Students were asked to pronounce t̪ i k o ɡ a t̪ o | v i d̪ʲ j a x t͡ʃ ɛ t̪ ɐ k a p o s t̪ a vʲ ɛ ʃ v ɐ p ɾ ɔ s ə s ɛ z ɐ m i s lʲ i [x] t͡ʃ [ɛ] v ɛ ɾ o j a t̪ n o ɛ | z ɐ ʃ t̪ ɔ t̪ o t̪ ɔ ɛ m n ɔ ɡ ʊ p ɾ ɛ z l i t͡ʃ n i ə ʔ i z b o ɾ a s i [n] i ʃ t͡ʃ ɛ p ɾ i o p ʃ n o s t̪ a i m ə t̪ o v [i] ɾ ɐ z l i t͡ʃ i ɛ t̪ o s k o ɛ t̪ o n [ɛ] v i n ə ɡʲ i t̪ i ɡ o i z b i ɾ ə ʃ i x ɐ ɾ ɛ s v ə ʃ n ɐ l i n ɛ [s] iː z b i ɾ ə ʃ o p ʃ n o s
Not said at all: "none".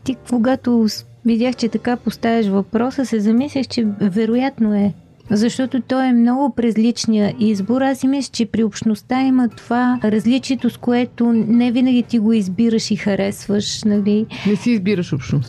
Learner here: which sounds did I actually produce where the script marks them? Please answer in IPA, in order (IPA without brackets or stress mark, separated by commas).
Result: x, ɛ, m, a, ɛ, s